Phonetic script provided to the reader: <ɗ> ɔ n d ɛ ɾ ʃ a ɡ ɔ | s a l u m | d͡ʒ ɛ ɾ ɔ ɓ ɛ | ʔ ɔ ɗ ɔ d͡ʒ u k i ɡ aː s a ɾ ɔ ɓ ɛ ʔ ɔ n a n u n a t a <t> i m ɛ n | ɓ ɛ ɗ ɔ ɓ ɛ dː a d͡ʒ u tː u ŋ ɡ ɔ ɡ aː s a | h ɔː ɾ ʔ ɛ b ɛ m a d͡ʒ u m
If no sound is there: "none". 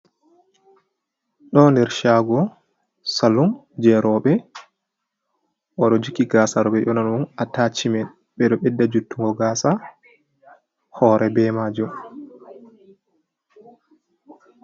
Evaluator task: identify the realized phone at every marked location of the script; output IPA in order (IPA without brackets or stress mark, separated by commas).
ɗ, t͡ʃ